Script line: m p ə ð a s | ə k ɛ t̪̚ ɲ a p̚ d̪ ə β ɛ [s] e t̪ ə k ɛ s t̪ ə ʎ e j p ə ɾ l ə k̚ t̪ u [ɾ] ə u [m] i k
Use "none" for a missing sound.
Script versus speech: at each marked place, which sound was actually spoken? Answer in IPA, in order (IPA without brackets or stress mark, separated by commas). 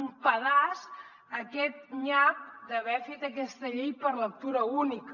f, ɾ, n